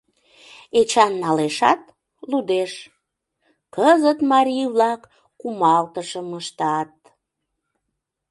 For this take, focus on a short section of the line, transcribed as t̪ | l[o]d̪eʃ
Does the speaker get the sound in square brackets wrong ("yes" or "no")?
yes